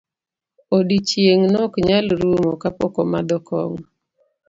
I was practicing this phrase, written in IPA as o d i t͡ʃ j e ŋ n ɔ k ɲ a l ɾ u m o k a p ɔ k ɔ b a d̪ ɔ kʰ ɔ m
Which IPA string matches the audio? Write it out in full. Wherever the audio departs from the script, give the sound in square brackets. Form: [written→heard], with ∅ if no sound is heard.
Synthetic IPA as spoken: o d i t͡ʃ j e ŋ n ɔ k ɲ a l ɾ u m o k a p ɔ k ɔ [b→m] a d̪ ɔ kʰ ɔ [m→ŋ]